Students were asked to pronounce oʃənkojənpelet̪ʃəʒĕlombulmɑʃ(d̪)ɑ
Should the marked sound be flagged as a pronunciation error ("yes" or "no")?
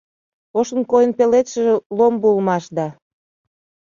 no